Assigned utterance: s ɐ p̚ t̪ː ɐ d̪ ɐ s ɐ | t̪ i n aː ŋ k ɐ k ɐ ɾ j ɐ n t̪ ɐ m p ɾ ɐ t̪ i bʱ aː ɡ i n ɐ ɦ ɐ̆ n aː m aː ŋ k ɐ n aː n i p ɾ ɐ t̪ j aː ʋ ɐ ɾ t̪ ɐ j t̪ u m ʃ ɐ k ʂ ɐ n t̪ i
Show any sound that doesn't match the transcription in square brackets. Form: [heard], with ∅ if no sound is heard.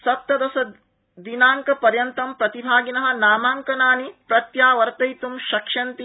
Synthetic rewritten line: s ɐ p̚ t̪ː ɐ d̪ ɐ s ɐ | [d̪] i n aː ŋ k ɐ [p] ɐ ɾ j ɐ n t̪ ɐ m p ɾ ɐ t̪ i bʱ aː ɡ i n ɐ ɦ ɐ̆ n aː m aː ŋ k ɐ n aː n i p ɾ ɐ t̪ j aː ʋ ɐ ɾ t̪ ɐ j t̪ u m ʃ ɐ k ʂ ɐ n t̪ i